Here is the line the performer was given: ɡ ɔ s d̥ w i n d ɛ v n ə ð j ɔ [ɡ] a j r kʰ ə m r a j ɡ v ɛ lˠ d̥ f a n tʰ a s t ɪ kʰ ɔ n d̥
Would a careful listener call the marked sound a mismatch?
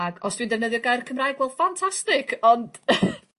no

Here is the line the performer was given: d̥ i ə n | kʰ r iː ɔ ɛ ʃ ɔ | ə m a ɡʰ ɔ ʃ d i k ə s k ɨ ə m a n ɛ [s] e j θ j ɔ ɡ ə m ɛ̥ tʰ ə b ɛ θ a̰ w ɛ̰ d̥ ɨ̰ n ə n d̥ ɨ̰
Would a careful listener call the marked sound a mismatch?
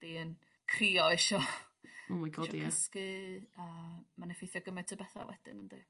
yes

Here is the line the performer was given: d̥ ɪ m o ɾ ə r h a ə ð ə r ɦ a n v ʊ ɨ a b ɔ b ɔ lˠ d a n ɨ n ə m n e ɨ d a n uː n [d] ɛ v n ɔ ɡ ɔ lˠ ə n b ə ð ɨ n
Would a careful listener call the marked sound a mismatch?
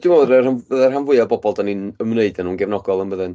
yes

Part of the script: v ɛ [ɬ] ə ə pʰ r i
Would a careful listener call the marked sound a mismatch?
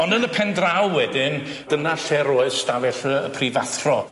no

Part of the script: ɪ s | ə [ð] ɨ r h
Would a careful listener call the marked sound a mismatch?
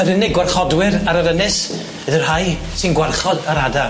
no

